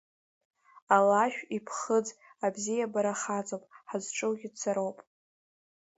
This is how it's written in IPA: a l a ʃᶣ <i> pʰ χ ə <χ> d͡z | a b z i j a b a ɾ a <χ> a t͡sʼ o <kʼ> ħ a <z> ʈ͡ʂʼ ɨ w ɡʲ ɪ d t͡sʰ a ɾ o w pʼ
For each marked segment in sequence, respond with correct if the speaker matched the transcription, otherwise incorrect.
correct, incorrect, correct, incorrect, correct

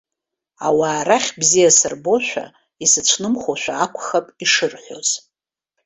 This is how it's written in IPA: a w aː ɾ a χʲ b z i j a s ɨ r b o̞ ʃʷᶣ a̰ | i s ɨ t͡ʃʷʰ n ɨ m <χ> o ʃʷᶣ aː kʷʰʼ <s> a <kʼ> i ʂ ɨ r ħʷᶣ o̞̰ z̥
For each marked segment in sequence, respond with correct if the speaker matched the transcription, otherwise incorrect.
correct, incorrect, incorrect

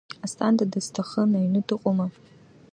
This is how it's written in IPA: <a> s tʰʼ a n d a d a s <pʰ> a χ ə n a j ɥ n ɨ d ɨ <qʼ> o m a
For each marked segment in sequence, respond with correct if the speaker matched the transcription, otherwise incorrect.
correct, incorrect, correct

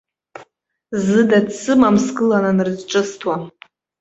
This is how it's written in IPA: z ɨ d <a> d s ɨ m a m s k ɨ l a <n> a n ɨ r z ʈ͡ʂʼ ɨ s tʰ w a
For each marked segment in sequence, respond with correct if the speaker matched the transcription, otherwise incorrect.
correct, correct

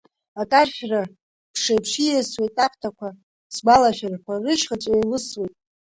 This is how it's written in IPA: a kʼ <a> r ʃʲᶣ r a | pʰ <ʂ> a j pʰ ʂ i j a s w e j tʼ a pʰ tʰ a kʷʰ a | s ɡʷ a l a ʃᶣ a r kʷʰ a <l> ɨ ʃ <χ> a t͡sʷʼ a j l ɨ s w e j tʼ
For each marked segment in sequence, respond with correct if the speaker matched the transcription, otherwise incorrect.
correct, correct, incorrect, correct

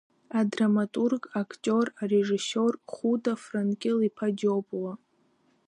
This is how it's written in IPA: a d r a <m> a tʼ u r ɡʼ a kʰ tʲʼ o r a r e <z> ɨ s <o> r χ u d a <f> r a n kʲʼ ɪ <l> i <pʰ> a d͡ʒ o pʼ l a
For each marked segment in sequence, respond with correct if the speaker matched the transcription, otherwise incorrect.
correct, incorrect, correct, correct, correct, correct

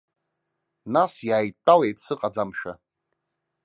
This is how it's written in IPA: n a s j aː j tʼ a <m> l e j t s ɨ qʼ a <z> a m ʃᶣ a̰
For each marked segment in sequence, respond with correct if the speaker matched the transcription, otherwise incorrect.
incorrect, incorrect

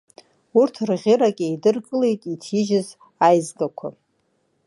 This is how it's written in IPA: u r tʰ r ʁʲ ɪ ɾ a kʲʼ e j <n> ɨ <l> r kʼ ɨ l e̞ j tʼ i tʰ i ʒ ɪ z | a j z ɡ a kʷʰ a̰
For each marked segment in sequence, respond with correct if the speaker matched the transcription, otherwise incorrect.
incorrect, incorrect

